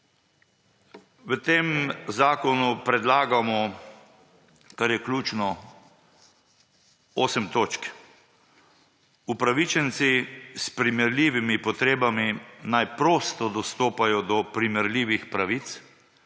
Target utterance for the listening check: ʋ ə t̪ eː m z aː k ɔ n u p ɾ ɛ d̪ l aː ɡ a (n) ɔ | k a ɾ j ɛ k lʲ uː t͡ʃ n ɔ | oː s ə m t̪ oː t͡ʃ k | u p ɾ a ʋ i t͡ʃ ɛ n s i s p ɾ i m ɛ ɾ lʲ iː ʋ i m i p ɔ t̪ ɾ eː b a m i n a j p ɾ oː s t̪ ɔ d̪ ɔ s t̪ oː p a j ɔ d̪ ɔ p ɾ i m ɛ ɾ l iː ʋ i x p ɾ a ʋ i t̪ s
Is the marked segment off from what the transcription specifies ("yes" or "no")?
yes